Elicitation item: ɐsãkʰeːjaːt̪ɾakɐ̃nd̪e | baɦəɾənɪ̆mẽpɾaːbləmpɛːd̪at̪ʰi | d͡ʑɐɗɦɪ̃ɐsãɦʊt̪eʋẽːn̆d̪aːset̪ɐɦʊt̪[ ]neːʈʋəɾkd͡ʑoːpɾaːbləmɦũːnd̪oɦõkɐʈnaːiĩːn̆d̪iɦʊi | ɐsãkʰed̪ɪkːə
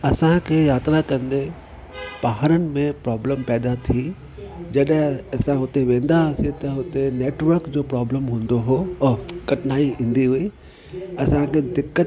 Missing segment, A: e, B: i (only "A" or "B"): A